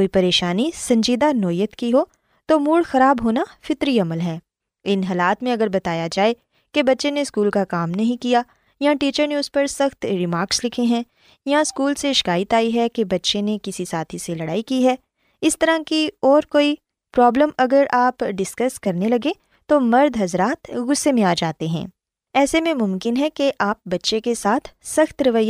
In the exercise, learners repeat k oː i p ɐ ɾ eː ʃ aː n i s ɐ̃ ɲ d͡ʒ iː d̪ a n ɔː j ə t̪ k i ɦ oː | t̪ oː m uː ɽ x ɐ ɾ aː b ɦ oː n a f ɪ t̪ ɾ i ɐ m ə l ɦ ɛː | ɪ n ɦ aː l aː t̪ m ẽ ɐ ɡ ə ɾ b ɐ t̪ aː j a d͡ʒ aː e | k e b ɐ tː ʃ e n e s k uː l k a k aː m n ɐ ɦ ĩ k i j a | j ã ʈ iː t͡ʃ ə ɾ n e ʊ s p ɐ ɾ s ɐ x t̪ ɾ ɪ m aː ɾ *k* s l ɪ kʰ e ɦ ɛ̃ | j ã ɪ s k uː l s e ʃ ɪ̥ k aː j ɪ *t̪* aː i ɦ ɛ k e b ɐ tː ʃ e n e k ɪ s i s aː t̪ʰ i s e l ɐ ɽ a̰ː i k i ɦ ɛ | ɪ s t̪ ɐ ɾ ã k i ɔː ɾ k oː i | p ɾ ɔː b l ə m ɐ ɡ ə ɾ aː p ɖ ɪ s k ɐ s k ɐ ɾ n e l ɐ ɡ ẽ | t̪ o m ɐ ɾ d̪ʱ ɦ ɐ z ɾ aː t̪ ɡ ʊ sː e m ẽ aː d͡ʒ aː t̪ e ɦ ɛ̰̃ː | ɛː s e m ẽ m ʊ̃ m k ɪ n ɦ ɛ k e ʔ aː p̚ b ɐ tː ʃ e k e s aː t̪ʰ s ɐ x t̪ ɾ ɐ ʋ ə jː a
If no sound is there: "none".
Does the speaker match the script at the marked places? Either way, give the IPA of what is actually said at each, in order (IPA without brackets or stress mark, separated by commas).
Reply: k, t̪